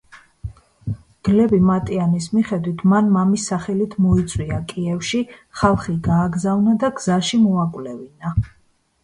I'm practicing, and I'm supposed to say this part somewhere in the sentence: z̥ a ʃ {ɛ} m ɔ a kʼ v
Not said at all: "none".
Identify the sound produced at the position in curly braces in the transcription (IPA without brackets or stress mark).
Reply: i